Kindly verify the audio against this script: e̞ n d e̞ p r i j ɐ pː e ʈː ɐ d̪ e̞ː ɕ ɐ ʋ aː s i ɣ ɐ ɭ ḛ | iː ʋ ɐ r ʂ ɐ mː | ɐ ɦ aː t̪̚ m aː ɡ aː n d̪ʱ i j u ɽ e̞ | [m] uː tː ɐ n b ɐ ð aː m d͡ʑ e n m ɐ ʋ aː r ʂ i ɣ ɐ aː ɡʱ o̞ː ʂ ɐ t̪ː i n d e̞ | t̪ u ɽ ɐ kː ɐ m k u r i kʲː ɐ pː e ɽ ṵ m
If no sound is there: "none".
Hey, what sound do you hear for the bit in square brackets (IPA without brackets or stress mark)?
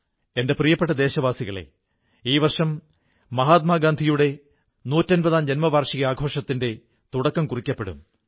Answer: n